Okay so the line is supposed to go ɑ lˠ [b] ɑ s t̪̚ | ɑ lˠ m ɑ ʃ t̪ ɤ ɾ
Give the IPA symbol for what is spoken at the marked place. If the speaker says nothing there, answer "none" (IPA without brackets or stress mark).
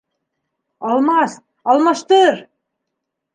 m